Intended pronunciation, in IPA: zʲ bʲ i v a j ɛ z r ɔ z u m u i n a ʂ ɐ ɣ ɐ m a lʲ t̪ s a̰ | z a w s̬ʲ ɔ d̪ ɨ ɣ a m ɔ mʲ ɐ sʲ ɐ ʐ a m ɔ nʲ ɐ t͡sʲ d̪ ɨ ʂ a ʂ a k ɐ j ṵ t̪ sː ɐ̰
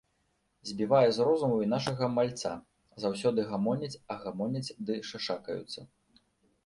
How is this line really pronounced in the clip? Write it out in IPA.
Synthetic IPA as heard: zʲ bʲ i v a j ɛ z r ɔ z u m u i n a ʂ ɐ ɣ ɐ m a lʲ t̪ s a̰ | z a w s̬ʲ ɔ d̪ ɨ ɣ a m ɔ nʲ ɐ t͡sʲ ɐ ɣ a m ɔ nʲ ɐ t͡sʲ d̪ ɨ ʂ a ʂ a k ɐ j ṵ t̪ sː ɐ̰